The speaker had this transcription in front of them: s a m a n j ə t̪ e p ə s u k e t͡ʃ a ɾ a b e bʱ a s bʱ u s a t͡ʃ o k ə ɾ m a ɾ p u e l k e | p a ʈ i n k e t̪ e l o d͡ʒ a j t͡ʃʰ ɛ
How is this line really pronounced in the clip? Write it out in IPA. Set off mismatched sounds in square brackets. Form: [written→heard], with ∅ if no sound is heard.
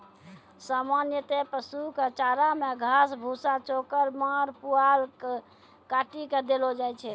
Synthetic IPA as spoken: s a m a n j ə t̪ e p ə s u k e t͡ʃ a ɾ a [b→m] e [bʱ→ɡʱ] a s bʱ u s a t͡ʃ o k ə ɾ m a ɾ p u [e→a] l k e | [p→k] a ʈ i [n→∅] k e [t̪→d̪] e l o d͡ʒ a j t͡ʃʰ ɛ